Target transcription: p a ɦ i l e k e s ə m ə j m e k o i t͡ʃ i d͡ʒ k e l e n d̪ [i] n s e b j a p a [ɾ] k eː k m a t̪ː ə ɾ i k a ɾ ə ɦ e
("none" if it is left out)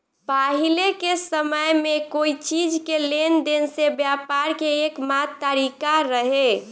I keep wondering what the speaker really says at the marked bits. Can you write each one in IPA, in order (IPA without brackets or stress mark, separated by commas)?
e, ɾ